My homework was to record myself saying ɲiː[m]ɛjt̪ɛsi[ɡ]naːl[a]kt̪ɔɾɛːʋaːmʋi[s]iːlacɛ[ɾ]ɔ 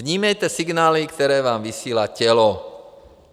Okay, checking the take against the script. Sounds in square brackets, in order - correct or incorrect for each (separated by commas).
correct, correct, incorrect, correct, incorrect